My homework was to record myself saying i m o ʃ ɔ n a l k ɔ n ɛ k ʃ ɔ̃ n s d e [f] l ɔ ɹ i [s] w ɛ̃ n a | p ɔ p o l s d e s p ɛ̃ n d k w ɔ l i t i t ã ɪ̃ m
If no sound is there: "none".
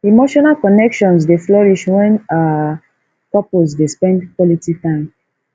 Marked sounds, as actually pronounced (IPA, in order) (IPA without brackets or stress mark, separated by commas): f, ʃ